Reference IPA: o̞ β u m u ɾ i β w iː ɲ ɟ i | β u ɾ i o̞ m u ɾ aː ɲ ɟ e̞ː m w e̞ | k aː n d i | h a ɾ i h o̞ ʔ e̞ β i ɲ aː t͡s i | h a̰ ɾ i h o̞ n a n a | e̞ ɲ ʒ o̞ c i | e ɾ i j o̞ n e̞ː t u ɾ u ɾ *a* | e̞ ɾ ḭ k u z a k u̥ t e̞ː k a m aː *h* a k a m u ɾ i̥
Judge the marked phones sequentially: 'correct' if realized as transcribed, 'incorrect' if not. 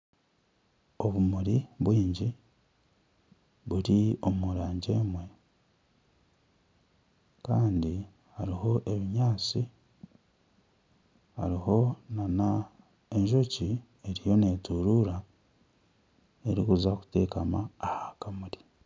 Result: correct, correct

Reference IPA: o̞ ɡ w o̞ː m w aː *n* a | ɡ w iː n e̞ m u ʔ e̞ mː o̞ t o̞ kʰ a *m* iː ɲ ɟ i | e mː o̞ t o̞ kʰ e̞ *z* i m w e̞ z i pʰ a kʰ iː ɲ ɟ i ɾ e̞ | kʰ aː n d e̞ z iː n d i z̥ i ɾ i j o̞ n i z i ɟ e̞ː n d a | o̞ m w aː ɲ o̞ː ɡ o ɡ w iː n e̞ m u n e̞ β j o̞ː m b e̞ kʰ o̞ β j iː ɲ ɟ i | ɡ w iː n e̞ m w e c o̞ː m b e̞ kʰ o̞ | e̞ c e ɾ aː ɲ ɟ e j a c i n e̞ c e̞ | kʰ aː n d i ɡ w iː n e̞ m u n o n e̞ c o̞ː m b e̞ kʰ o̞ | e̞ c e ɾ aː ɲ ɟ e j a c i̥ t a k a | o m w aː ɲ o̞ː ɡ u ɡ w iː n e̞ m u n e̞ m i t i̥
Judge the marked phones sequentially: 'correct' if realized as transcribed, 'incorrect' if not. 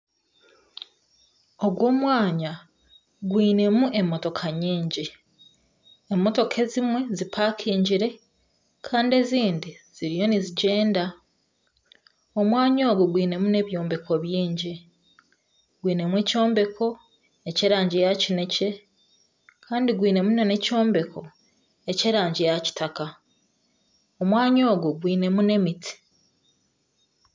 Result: incorrect, incorrect, correct

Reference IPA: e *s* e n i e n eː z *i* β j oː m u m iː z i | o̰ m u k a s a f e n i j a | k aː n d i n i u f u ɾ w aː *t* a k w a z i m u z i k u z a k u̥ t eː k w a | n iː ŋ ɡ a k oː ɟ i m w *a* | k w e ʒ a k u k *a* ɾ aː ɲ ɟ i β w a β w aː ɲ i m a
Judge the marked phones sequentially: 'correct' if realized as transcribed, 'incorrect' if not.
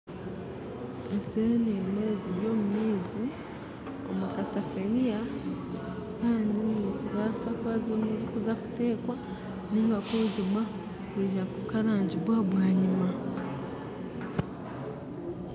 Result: correct, correct, incorrect, correct, correct

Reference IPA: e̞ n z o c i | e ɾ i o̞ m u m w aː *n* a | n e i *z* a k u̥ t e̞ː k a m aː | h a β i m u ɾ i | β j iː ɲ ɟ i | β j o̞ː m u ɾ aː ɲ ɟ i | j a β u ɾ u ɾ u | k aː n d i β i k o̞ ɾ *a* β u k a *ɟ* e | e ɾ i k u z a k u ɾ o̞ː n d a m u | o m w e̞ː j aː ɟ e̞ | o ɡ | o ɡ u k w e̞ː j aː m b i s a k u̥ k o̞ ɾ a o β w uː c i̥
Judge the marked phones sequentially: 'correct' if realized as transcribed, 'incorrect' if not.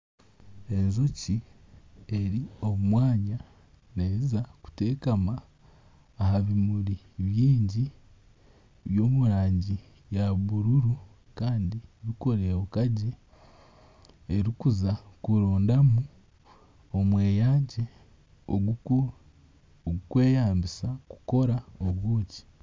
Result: incorrect, correct, incorrect, correct

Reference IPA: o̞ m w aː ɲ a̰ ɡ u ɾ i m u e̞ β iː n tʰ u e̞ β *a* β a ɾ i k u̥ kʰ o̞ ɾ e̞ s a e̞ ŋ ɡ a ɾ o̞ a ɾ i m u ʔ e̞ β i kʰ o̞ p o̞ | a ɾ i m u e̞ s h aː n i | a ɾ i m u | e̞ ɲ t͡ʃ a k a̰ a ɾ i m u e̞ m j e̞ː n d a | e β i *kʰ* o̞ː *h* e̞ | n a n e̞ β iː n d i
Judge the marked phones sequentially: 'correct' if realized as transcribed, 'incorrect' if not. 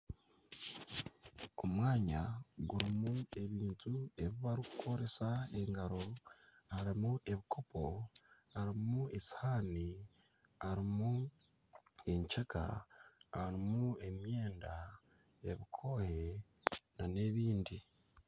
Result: incorrect, correct, correct

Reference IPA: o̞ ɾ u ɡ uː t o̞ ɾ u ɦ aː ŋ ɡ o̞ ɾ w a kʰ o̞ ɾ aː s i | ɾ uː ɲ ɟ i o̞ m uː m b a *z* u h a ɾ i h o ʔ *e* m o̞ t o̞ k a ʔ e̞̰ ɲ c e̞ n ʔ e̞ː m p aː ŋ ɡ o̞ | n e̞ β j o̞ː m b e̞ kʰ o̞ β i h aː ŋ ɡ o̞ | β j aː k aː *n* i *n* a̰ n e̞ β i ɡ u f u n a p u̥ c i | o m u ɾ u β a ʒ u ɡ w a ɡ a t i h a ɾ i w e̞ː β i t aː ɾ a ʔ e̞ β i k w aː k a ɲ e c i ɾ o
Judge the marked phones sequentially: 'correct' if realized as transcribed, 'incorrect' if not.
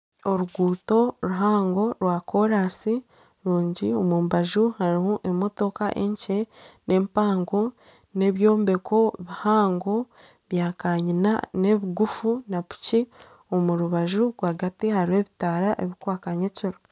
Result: incorrect, correct, incorrect, correct

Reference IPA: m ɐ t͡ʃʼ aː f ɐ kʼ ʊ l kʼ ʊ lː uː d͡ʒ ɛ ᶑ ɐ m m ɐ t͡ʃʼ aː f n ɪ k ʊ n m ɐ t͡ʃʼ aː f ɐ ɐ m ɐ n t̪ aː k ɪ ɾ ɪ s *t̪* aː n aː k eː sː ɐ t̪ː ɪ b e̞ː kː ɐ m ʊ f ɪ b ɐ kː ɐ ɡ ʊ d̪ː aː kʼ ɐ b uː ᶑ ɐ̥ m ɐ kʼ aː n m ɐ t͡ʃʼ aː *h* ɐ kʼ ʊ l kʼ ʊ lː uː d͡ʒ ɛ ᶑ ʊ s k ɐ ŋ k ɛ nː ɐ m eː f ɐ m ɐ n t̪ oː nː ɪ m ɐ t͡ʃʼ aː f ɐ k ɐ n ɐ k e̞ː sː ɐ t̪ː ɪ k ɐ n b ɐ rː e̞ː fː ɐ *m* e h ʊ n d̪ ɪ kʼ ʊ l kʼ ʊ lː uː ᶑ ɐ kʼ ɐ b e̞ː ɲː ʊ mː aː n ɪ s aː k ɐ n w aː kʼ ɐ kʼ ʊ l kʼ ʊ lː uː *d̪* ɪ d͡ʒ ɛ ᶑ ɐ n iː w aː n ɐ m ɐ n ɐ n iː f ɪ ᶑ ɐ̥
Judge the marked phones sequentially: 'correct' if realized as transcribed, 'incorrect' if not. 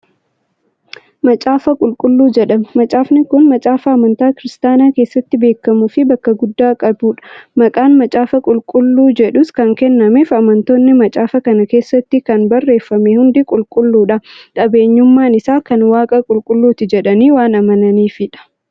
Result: correct, incorrect, correct, incorrect

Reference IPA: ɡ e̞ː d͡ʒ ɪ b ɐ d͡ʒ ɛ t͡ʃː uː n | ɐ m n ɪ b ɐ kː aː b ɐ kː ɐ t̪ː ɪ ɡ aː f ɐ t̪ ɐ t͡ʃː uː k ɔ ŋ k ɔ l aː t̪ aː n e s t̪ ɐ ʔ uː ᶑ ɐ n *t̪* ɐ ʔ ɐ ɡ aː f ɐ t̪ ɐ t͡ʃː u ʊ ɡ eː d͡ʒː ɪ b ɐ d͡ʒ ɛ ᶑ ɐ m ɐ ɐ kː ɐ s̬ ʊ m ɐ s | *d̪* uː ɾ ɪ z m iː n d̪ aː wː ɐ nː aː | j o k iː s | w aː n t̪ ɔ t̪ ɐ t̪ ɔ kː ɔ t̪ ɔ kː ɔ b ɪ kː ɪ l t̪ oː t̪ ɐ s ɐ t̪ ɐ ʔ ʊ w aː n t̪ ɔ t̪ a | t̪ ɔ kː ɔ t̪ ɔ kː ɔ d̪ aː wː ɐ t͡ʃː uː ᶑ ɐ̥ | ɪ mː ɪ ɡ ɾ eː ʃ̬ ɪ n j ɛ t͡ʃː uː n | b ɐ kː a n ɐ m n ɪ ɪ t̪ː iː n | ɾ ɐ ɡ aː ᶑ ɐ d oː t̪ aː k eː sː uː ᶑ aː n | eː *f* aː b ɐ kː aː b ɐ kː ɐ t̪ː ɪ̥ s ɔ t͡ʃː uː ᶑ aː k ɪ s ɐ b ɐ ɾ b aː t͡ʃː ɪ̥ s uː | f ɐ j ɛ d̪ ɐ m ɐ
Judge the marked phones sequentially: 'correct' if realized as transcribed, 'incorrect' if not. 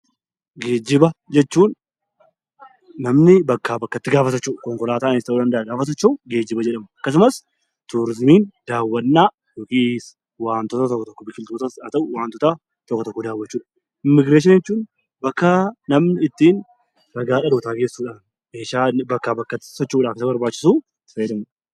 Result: incorrect, incorrect, incorrect

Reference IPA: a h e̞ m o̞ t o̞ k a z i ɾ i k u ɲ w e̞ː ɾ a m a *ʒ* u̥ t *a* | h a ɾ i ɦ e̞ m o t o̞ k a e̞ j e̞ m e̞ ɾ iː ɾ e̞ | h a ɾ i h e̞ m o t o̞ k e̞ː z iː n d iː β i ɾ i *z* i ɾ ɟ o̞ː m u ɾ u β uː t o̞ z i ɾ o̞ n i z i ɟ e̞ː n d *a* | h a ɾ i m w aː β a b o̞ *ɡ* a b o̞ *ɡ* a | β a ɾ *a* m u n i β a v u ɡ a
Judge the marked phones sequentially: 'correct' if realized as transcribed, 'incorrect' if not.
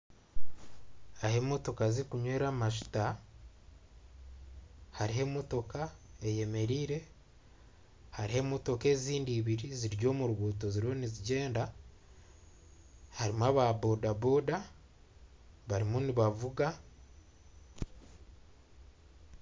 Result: incorrect, correct, correct, correct, incorrect, incorrect, incorrect

